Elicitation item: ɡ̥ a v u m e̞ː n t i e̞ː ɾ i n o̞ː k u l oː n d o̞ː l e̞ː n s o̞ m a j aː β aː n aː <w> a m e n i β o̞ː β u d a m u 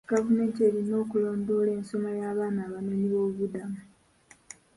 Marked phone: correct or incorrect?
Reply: incorrect